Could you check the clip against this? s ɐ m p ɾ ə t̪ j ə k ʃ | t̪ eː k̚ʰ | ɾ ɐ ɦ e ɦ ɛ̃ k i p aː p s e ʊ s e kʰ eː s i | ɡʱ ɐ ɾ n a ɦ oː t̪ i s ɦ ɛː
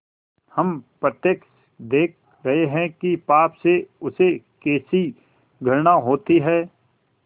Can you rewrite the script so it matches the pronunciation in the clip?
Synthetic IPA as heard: h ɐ m p ɾ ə t̪ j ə k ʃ | d̪ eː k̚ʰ | ɾ ɐ ɦ e ɦ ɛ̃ k i p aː p s e ʊ s e k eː s i | ɡʱ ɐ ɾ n a ɦ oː t̪ i ɦ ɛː